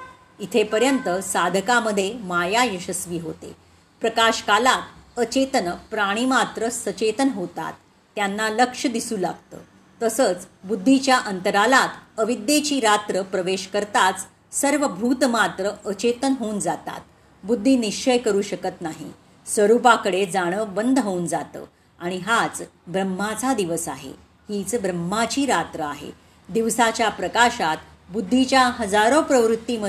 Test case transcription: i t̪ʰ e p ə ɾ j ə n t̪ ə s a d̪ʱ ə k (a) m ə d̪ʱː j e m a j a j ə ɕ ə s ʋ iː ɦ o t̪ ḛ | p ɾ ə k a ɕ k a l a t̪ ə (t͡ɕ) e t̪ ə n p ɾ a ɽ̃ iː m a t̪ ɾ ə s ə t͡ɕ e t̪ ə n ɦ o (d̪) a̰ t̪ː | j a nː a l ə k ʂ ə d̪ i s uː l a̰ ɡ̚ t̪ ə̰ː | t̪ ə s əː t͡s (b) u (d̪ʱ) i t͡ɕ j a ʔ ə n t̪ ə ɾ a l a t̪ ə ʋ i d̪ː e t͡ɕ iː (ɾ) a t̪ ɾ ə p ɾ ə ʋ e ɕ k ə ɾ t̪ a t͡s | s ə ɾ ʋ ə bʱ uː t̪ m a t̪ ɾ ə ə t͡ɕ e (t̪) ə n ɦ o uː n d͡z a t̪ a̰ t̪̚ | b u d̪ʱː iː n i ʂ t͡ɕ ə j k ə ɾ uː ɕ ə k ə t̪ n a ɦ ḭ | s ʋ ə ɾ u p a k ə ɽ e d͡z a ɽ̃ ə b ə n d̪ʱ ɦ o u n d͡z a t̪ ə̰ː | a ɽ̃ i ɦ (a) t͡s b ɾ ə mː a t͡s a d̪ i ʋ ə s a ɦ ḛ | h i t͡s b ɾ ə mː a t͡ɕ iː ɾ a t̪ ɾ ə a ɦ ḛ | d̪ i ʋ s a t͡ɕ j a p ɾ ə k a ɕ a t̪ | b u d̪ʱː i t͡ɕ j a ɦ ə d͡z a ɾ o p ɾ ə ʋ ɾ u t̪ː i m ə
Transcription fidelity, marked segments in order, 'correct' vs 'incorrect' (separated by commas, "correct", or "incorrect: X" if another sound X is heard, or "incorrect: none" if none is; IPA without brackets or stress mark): correct, correct, incorrect: t̪, correct, incorrect: d̪ʱː, correct, correct, correct